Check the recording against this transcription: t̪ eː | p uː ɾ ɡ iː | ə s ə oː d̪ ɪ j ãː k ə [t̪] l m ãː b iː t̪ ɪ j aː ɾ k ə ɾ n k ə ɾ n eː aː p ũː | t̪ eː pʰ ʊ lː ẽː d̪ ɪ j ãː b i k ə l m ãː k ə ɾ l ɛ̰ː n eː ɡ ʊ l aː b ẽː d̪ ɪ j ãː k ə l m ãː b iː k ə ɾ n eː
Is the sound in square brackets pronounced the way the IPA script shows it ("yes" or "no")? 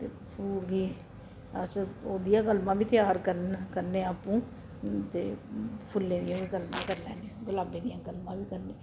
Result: no